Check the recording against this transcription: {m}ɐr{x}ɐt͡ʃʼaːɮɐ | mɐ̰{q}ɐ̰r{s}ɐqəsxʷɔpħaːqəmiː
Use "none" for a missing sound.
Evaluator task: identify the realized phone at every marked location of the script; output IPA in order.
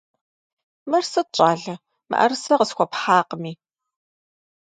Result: m, s, ʔ, s

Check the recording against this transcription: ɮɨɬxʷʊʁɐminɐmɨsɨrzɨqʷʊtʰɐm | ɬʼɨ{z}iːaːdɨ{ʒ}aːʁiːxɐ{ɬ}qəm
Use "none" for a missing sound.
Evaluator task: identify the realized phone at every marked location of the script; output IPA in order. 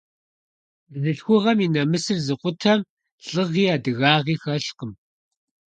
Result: ʁ, ɣ, ɬ

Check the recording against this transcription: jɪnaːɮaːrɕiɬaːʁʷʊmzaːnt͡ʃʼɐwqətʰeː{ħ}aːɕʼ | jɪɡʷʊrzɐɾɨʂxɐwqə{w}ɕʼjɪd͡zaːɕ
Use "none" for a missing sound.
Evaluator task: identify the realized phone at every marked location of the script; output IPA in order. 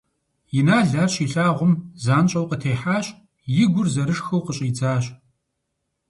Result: ħ, none

